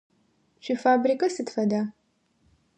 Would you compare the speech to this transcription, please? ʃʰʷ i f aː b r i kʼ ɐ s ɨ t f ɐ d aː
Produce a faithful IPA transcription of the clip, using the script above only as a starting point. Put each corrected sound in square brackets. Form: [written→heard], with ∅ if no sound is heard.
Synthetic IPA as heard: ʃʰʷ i f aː b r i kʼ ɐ s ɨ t f ɐ d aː